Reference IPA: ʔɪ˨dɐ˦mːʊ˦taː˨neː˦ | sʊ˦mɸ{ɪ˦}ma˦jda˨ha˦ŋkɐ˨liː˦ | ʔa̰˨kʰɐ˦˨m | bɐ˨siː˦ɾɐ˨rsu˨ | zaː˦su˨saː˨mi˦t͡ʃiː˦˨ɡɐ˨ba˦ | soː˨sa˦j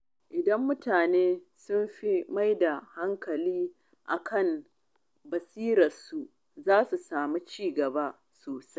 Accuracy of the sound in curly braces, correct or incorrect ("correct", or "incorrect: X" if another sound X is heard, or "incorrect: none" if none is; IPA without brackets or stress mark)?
incorrect: i˦